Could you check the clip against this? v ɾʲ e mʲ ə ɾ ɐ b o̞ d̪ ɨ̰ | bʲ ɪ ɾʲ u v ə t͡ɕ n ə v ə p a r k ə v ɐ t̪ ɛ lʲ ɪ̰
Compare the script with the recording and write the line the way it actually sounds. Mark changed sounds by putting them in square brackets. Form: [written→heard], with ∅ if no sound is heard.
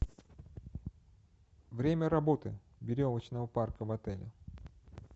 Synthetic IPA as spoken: v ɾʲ e mʲ ə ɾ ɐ b o̞ [d̪→t̪] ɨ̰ | bʲ ɪ ɾʲ [u→o] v ə t͡ɕ n ə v ə p a r k ə v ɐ t̪ ɛ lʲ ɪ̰